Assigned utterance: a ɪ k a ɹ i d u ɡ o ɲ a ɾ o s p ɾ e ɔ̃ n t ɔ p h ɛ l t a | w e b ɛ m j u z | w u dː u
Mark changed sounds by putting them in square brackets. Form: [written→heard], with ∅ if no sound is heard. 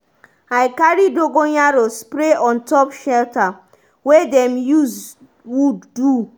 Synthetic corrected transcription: a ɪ k a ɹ i d [u→o] ɡ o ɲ a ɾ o s p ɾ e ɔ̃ n t ɔ p [h→ʃ] ɛ l t a | w e [b→d] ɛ m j u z | w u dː u